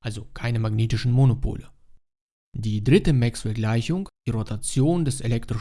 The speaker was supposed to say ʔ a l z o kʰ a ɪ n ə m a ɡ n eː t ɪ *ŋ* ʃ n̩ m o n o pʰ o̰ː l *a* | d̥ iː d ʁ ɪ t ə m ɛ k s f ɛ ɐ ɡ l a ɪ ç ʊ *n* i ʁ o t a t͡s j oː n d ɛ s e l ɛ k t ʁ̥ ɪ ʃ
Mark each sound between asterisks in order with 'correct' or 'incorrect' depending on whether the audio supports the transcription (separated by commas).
incorrect, incorrect, incorrect